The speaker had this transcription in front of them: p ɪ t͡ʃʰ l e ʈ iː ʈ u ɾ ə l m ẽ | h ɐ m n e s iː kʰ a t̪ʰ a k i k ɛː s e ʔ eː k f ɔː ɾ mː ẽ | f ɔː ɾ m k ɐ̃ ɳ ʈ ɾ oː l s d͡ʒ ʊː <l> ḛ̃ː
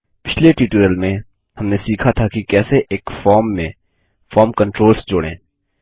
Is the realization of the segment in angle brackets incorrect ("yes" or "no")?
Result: yes